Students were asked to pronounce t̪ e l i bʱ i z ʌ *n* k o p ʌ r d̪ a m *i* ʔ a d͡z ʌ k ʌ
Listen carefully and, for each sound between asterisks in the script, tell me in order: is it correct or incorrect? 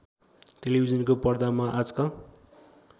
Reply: correct, incorrect

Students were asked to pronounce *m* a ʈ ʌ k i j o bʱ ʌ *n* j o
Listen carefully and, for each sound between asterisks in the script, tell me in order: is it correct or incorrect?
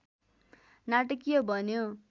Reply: incorrect, correct

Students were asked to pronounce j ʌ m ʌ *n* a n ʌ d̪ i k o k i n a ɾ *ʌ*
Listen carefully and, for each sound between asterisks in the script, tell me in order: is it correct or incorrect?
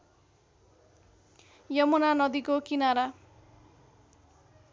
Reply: correct, incorrect

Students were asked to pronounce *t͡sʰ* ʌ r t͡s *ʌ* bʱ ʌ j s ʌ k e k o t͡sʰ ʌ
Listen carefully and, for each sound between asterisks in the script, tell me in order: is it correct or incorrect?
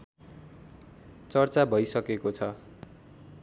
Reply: incorrect, incorrect

